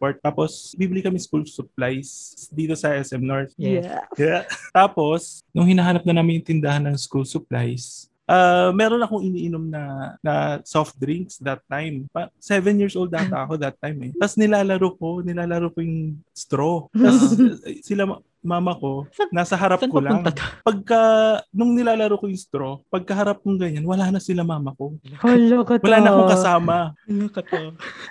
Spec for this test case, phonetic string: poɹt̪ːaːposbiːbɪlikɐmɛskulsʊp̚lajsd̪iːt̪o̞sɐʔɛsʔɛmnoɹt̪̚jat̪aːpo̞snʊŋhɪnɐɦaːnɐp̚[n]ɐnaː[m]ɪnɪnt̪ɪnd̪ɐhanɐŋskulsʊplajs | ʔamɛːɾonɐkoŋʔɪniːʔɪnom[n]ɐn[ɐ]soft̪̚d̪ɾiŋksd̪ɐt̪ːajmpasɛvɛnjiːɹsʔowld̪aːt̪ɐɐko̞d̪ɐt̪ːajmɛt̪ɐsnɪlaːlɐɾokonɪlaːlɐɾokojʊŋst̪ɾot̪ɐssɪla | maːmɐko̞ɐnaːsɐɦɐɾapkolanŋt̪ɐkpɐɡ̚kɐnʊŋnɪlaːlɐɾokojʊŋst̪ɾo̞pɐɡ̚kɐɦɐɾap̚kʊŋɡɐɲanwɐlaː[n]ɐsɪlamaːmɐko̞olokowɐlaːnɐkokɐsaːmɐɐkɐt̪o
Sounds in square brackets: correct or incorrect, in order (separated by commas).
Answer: correct, correct, correct, correct, correct